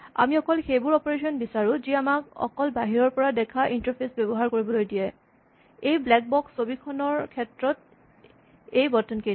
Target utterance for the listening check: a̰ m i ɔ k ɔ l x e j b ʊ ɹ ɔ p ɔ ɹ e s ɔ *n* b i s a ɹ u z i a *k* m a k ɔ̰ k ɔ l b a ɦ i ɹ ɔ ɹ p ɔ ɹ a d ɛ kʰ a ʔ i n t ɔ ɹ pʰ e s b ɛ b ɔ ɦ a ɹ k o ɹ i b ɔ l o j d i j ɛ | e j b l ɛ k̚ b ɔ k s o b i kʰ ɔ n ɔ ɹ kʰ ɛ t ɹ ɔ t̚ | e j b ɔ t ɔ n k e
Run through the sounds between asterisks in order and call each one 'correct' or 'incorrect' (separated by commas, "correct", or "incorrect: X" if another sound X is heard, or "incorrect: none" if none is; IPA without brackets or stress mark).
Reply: correct, incorrect: none